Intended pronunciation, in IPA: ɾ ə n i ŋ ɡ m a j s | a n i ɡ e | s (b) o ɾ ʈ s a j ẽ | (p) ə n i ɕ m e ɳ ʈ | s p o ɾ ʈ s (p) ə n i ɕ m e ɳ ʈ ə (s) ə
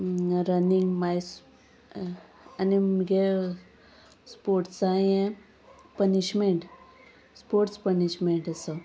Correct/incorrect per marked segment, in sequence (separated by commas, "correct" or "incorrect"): incorrect, correct, correct, correct